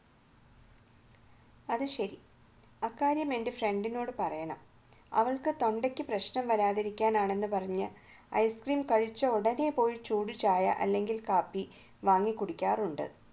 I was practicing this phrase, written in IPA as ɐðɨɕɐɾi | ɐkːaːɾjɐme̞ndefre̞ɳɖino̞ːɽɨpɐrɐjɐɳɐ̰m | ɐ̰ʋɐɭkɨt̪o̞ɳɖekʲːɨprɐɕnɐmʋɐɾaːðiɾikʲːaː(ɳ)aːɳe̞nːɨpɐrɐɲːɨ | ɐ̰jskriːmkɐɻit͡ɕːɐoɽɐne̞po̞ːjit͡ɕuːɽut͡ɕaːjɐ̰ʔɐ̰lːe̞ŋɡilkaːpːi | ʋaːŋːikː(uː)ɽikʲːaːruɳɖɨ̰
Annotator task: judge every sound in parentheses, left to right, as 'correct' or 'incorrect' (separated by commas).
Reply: incorrect, incorrect